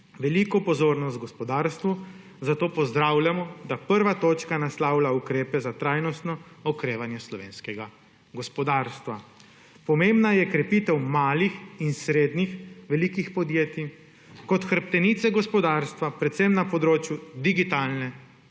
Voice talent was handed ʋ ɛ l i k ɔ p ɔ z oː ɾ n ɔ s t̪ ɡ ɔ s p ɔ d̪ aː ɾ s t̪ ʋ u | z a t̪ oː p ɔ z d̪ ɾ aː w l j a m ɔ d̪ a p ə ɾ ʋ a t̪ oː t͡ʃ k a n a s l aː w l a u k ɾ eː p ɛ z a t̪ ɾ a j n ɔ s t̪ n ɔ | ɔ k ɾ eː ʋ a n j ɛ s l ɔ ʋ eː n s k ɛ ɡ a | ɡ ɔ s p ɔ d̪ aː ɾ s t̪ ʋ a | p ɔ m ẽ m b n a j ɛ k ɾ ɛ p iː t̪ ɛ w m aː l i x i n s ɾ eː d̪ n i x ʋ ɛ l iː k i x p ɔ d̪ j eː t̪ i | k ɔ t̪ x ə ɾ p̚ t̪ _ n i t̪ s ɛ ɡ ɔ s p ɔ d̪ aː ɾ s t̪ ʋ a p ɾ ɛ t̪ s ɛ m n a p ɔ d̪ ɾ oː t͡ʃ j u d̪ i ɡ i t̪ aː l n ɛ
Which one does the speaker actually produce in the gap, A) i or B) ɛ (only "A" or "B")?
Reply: B